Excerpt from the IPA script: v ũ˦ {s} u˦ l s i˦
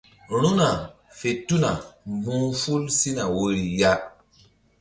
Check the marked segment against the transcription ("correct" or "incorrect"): incorrect